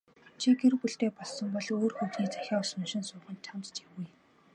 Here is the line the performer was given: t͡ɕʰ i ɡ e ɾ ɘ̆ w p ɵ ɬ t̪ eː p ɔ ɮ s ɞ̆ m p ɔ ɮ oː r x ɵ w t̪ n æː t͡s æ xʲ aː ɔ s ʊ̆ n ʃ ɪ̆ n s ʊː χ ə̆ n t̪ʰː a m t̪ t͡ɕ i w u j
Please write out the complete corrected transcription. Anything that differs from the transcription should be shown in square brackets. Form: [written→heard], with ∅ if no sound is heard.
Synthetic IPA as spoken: t͡ɕʰ i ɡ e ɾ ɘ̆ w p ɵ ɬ t̪ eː p ɔ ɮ s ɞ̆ m p ɔ ɮ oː r x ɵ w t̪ n [æː→iː] t͡s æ xʲ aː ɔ s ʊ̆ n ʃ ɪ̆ n s ʊː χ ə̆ n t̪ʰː a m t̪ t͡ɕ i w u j